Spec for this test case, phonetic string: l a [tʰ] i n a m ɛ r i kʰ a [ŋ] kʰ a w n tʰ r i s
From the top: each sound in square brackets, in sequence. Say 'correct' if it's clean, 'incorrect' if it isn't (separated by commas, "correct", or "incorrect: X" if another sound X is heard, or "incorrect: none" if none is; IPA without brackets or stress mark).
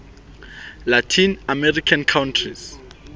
correct, incorrect: n